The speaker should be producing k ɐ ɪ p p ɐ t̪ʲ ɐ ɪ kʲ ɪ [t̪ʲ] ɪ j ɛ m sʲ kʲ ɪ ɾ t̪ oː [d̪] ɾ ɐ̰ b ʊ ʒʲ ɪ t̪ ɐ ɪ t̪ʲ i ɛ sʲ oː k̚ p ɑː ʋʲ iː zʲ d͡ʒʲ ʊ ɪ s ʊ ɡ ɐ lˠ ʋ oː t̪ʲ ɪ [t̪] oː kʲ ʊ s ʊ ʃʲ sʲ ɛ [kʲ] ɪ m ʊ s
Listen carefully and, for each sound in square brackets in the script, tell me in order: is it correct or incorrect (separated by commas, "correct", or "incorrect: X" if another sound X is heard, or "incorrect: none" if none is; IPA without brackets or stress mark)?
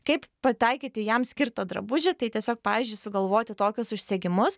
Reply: correct, correct, correct, incorrect: ɡʲ